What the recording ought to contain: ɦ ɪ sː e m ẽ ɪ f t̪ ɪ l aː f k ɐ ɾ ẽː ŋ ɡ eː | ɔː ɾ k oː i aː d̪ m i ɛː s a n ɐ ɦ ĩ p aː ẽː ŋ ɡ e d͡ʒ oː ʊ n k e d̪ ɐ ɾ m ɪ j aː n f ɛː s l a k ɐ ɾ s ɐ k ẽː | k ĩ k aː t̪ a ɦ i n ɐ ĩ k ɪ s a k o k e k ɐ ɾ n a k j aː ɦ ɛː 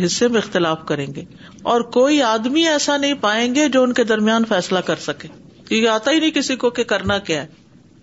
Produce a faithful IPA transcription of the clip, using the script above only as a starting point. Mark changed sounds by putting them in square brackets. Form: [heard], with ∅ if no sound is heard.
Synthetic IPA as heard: ɦ ɪ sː e m ẽ ɪ [x] t̪ ɪ l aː f k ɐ ɾ ẽː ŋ ɡ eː | ɔː ɾ k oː i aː d̪ m i ɛː s a n ɐ ɦ ĩ p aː ẽː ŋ ɡ e d͡ʒ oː ʊ n k e d̪ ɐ ɾ m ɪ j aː n f ɛː s l a k ɐ ɾ s ɐ k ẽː | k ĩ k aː t̪ a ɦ i n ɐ ĩ k ɪ s [i] k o k e k ɐ ɾ n a k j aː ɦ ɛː